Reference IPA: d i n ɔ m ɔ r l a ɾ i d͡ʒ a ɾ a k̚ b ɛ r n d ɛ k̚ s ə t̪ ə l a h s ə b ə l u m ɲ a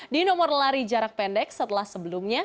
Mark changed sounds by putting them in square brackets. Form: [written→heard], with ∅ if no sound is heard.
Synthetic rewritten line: d i n ɔ m ɔ r l a ɾ i d͡ʒ a ɾ a k̚ [b→p] ɛ [r→∅] n d ɛ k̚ s ə t̪ ə l a h s ə b ə l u m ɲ a